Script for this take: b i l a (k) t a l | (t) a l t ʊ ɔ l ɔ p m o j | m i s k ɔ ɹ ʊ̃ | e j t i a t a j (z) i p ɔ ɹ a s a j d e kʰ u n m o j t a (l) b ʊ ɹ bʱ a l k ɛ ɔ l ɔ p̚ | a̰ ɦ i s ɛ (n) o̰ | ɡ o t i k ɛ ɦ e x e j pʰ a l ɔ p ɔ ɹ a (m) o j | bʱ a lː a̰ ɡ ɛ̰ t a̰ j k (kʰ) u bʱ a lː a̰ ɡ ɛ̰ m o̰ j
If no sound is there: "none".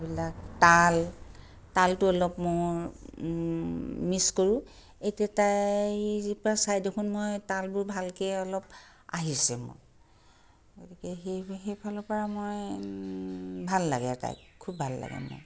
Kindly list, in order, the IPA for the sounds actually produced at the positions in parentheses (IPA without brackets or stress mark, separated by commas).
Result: k, t, z, l, m, m, kʰ